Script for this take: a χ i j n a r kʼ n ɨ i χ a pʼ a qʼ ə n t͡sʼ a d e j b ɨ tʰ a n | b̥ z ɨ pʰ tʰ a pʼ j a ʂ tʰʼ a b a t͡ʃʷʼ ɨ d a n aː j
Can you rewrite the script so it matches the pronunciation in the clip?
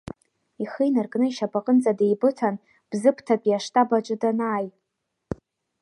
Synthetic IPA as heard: i χ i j n a r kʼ n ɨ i ʃ a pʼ a qʼ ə n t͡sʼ a d e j b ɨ tʰ a n | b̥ z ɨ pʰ tʰ a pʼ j a ʂ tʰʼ a b a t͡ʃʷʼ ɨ d a n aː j